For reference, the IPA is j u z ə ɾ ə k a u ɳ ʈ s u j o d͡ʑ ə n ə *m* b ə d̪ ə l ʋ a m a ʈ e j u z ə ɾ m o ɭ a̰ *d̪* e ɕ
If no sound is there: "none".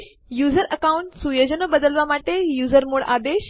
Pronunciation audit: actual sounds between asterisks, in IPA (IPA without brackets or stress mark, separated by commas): none, d̪